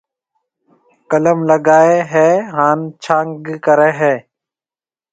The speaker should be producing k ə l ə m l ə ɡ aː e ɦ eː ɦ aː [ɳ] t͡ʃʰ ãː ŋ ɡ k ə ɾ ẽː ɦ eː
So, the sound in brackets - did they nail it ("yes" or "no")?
no